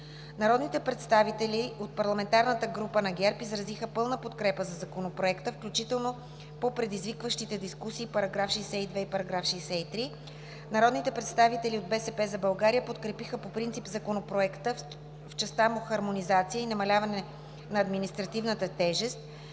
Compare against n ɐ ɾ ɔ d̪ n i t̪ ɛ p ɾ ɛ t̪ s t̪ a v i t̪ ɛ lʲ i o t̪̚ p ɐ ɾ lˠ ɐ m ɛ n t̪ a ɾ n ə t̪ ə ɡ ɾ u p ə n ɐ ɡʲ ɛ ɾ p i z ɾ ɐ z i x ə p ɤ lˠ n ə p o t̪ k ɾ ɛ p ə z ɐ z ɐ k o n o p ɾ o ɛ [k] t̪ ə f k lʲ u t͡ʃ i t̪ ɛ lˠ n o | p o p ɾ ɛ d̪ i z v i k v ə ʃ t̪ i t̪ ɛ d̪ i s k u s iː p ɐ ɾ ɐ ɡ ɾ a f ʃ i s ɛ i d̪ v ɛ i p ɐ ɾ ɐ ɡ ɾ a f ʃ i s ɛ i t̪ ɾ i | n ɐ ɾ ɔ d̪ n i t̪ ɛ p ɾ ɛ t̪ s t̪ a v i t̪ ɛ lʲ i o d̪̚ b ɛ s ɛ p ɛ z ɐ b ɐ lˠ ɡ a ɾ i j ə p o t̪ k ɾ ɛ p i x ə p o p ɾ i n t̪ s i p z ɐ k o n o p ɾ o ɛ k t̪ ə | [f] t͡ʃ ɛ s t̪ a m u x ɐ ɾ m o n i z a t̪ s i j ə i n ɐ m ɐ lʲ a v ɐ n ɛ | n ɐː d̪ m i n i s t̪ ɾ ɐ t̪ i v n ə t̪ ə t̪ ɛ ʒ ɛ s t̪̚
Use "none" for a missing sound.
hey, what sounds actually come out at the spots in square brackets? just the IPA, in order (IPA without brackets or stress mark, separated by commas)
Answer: k, f